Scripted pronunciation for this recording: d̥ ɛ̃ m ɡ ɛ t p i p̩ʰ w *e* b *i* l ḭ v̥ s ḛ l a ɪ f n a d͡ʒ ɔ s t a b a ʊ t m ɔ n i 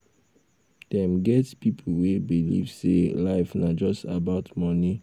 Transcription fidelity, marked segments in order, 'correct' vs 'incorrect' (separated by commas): correct, correct